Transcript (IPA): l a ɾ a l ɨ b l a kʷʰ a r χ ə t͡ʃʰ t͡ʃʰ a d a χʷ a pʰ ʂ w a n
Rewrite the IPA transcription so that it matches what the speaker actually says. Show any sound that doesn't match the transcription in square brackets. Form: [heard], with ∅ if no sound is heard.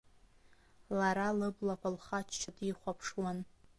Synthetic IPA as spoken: l a ɾ a l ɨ b l a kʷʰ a [l] χ [a] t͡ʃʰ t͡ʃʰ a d [i] χʷ a pʰ ʂ w a n